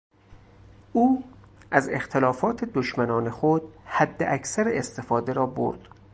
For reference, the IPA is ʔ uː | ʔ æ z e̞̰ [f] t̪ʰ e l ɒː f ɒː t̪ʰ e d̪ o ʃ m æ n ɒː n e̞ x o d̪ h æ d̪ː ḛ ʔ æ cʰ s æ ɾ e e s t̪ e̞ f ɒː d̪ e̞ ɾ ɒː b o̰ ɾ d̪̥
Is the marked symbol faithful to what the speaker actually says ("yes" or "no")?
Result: no